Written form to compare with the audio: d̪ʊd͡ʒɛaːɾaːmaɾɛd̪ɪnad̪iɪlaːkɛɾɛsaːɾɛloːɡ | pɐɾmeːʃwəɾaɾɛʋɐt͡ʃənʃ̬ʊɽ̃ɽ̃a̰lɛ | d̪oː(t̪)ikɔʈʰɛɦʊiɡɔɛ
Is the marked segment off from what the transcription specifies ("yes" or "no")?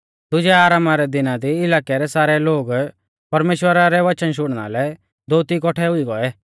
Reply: no